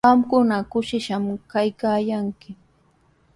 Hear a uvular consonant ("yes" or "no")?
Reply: no